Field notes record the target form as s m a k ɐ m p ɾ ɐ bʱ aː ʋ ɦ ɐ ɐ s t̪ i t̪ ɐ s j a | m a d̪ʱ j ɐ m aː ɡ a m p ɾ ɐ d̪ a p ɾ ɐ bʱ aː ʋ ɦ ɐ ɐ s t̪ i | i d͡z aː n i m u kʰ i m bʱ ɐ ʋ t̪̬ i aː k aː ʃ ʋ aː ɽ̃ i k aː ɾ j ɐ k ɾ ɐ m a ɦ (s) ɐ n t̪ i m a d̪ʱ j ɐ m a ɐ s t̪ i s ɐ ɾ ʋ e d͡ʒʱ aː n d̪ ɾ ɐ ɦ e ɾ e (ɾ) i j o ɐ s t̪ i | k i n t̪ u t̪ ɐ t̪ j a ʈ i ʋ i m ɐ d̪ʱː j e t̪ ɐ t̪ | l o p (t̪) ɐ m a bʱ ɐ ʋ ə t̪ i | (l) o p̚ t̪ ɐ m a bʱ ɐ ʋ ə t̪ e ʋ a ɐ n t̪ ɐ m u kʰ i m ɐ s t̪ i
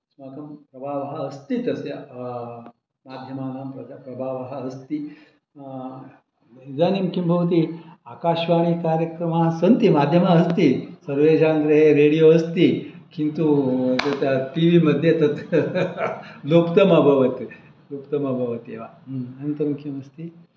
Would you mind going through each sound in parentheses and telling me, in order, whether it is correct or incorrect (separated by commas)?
correct, incorrect, correct, correct